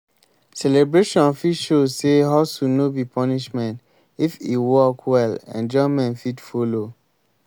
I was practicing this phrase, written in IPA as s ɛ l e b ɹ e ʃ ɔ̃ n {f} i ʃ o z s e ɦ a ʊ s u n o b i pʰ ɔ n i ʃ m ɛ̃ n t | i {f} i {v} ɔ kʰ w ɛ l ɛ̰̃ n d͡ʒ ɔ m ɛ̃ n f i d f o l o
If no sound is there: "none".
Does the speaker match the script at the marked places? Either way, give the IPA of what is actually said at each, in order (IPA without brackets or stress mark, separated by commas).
f, f, w